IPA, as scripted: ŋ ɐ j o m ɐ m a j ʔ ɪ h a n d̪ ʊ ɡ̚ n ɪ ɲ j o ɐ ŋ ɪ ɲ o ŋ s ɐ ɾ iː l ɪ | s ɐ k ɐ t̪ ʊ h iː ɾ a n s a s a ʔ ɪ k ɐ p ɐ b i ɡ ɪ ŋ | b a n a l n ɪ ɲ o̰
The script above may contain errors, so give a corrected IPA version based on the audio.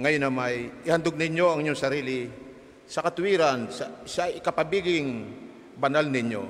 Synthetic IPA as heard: ŋ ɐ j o n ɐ m a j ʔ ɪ h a n d̪ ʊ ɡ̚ n ɪ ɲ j o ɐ ŋ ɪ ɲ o ŋ s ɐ ɾ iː l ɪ | s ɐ k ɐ t̪ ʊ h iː ɾ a n s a s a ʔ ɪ k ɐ p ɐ b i ɡ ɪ ŋ | b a n a l n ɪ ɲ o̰

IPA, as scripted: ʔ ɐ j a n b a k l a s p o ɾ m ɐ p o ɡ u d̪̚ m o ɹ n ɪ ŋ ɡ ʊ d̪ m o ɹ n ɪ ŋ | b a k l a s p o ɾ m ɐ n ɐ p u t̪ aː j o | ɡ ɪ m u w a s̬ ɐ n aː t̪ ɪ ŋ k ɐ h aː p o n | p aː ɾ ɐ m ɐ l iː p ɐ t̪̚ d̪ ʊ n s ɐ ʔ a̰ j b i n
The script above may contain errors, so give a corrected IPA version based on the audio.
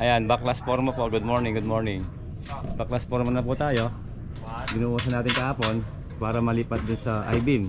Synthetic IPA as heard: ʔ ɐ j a n b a k l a s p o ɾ m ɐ p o ɡ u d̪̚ m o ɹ n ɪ ŋ ɡ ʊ d̪ m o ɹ n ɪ ŋ | b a k l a s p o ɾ m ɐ n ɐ p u t̪ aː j o | ɡ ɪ n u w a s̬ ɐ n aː t̪ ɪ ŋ k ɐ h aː p o n | p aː ɾ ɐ m ɐ l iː p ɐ t̪̚ d̪ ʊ n s ɐ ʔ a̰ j b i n

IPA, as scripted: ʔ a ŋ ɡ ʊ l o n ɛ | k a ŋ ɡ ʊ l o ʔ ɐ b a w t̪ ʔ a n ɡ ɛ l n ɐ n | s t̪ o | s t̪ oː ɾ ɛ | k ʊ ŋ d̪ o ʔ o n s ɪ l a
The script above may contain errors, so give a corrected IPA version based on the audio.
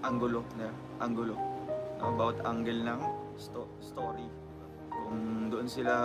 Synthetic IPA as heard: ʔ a ŋ ɡ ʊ l o n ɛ | ʔ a ŋ ɡ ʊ l o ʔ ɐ b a w t̪ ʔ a ŋ ɡ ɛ l n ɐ ŋ | s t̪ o | s t̪ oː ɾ i | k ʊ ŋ d̪ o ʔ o n s ɪ l a

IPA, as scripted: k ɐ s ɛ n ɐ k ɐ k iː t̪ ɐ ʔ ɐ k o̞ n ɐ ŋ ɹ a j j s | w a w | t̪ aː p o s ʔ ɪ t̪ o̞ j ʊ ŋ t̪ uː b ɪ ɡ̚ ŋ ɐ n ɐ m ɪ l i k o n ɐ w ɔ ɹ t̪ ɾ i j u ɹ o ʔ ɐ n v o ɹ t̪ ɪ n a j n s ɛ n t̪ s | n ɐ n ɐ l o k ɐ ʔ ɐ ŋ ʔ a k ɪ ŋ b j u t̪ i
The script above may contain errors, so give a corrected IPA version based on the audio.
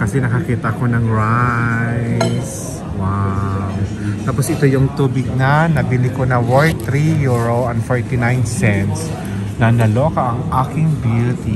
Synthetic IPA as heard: k ɐ s ɛ n ɐ k ɐ k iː t̪ ɐ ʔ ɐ k o̞ n ɐ ŋ ɹ a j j s | w a w | t̪ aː p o s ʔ ɪ t̪ o̞ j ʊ ŋ t̪ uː b ɪ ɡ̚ n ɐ n ɐ b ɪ l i k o n ɐ w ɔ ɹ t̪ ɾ i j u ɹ o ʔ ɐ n f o ɹ t̪ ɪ n a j n s ɛ n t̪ s | n ɐ n ɐ l o k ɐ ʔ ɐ ŋ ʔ a k ɪ ŋ b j u t̪ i

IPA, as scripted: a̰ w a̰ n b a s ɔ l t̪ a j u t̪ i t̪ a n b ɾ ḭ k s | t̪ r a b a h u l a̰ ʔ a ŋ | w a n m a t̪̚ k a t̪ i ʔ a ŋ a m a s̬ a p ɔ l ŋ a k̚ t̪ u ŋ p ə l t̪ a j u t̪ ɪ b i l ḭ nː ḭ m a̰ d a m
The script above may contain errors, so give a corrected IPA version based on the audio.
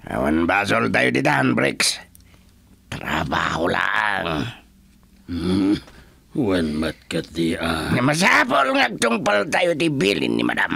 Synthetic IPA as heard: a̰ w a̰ n b a s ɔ l t̪ a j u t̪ i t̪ a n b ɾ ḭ k s | t̪ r a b a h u l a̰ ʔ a ŋ | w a n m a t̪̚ k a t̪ i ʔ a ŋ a m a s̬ a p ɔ l ŋ a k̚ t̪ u ŋ p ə l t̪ a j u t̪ i b i l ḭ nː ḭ m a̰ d a m

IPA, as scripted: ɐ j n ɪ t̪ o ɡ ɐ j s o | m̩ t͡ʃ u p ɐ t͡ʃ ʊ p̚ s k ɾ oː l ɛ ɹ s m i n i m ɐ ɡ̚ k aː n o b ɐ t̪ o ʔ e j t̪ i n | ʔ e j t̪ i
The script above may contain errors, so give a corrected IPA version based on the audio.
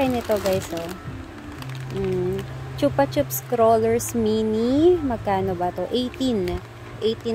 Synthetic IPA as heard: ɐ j n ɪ t̪ o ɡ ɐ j s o | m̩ t͡ʃ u p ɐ t͡ʃ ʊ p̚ s k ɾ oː l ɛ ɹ s m i n i m ɐ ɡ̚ k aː n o b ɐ t̪ o ʔ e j t̪ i n | ʔ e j t̪ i

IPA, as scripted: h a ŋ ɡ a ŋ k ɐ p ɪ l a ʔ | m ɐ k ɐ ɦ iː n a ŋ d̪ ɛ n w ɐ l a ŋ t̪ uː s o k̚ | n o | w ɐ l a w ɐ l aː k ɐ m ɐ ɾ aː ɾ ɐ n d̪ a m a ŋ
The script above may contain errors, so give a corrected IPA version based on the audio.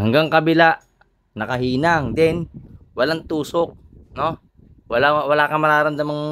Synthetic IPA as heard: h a ŋ ɡ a ŋ k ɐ b ɪ l a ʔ | n ɐ k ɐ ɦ iː n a ŋ d̪ ɛ n w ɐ l a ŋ t̪ uː s o k̚ | n o | w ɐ l a w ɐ l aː k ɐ m ɐ ɾ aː ɾ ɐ n d̪ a m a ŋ

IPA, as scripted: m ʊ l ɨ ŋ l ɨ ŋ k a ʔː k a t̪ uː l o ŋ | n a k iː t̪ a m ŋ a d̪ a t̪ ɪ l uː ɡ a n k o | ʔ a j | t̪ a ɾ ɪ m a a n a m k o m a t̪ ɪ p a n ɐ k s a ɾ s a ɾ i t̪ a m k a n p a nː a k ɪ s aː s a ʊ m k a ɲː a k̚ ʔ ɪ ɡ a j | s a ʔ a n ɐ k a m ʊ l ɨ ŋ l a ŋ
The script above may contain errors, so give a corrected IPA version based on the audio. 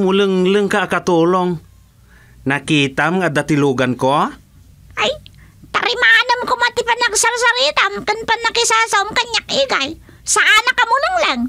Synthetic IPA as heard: m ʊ l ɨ ŋ l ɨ ŋ k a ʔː k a t̪ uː l o ŋ | n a k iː t̪ a m ŋ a d̪ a t̪ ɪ l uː ɡ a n k o | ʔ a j | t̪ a ɾ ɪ m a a n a m k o m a t̪ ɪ p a n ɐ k s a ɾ s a ɾ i t̪ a m k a n p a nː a k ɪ s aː s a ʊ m k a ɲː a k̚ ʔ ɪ ɡ a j | s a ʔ a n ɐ k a m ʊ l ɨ ŋ l a ŋ

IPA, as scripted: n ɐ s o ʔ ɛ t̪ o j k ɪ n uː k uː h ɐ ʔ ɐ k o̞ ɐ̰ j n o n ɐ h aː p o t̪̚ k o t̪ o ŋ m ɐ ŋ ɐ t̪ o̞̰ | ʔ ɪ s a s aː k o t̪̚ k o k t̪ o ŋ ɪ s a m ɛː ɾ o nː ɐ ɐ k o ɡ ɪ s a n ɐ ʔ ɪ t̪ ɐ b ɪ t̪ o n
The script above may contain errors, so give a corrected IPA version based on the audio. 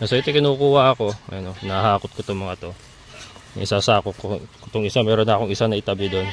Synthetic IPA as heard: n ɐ s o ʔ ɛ t̪ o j k ɪ n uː k uː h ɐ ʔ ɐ k o̞ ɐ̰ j n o n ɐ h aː k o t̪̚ k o t̪ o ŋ m ɐ ŋ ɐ t̪ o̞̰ | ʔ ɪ s a s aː k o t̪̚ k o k t̪ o ŋ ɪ s a m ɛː ɾ o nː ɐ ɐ k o ŋ ɪ s a n ɐ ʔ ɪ t̪ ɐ b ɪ d̪ o n

